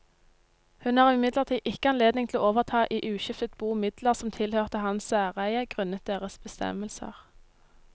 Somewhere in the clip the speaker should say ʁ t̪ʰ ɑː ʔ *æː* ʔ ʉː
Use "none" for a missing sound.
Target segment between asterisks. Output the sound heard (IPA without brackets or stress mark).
iː